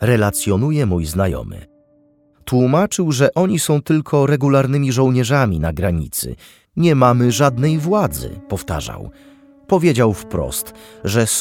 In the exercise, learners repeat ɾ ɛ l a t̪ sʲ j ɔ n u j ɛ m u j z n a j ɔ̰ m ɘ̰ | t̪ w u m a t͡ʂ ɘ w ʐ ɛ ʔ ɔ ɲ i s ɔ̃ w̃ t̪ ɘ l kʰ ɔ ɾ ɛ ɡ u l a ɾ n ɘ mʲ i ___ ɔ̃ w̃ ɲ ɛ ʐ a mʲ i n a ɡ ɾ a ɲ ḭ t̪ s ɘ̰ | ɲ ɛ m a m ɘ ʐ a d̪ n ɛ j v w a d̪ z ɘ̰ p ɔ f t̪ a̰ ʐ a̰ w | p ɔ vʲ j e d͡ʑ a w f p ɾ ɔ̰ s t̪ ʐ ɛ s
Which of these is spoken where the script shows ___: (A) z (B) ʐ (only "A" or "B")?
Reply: B